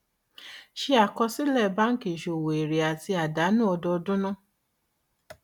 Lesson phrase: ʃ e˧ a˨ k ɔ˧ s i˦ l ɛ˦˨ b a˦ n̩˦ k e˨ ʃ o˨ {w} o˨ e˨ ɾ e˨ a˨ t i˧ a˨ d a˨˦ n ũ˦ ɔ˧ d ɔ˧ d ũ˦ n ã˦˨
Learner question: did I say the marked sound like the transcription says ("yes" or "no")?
yes